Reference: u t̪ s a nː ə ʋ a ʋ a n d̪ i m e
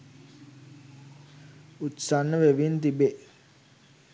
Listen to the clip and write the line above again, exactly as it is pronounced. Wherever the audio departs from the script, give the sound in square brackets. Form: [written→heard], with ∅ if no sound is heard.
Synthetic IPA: u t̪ s a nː ə ʋ [a→e] ʋ [a→i] n [d̪→t̪] i [m→b] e